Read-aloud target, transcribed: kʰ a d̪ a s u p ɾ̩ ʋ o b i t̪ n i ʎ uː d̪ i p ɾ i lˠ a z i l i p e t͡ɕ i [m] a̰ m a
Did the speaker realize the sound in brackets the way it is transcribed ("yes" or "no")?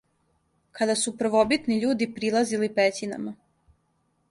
no